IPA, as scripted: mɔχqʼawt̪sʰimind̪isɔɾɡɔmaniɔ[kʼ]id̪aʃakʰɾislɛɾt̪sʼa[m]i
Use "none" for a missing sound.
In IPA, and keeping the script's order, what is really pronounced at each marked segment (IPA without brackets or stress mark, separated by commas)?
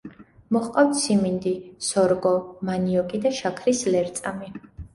kʼ, m